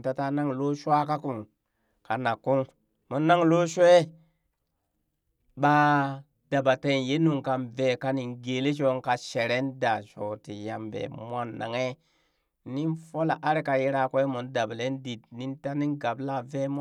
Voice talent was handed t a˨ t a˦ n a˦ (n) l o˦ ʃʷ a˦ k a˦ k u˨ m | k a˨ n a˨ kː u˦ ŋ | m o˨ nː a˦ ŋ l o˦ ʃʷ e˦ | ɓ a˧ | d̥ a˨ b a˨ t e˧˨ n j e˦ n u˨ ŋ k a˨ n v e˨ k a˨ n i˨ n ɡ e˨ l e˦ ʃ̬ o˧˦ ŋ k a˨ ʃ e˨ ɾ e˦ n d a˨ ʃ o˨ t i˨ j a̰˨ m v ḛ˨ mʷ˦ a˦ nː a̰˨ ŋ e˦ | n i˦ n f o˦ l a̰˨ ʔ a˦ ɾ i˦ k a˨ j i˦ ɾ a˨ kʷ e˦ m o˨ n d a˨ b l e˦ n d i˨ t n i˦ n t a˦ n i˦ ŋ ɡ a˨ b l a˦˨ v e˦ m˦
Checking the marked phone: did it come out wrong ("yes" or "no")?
yes